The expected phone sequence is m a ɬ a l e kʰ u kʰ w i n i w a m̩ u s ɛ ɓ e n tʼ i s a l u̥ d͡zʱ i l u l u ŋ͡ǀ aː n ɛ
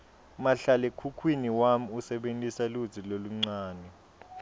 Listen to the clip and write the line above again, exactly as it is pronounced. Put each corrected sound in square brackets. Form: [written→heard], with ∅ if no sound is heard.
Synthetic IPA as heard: m a ɬ a l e kʰ u kʰ w i n i w a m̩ u s ɛ ɓ e n tʼ i s a l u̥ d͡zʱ i l [u→o] l u ŋ͡ǀ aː n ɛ